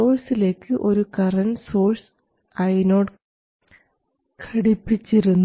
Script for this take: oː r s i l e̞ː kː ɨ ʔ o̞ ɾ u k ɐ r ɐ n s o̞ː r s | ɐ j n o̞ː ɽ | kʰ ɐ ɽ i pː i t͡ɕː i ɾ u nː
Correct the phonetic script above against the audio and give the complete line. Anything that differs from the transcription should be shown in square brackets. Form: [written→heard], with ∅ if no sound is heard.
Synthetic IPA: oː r s i l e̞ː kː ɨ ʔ o̞ ɾ u k ɐ r ɐ n s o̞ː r s | ɐ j n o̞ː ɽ | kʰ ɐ ɽ i pː i t͡ɕː i ɾ u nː